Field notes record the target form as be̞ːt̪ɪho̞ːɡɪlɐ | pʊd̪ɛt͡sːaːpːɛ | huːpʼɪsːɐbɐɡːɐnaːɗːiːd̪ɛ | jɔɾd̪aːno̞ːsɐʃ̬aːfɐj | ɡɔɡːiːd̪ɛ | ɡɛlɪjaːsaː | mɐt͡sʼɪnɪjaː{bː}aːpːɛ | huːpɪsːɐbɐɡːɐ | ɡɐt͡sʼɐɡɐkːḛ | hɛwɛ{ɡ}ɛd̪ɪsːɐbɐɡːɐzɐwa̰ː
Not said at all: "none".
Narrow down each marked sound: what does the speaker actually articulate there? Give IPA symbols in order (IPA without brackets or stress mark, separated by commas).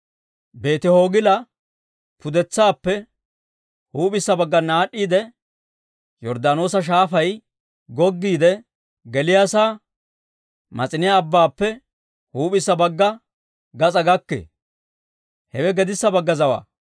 bː, ɡ